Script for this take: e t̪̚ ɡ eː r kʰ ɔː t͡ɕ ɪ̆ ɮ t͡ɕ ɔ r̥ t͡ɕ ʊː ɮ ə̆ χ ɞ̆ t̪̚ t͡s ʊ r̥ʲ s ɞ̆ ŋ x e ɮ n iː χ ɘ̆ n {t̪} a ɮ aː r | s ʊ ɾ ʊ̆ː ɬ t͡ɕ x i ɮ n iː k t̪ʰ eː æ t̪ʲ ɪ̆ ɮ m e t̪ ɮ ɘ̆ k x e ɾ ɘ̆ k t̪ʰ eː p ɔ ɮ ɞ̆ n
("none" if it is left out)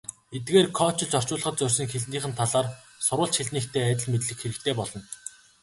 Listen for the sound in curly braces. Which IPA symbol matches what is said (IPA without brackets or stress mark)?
t̪ʰ